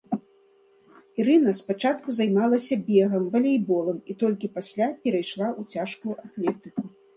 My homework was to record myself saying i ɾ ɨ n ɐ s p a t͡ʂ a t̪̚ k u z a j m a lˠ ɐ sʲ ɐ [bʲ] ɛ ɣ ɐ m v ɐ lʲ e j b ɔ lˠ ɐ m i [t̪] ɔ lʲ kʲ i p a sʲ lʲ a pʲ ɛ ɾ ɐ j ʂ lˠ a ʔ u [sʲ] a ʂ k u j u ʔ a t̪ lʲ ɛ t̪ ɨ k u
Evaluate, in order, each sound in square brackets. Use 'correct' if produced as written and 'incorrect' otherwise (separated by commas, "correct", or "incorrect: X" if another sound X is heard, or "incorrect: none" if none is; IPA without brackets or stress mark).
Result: correct, correct, incorrect: t͡sʲ